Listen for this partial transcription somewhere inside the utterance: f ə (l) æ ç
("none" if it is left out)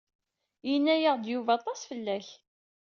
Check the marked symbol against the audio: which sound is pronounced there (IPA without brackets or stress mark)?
lː